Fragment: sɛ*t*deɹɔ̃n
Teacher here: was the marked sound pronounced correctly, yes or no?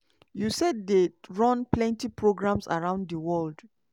no